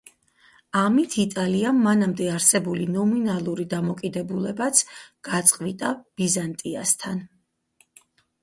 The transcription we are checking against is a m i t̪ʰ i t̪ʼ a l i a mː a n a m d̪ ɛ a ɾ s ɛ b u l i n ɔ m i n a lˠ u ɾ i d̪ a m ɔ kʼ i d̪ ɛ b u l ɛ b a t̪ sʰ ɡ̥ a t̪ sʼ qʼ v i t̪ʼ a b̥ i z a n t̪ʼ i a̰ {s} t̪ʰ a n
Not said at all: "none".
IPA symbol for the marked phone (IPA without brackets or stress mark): s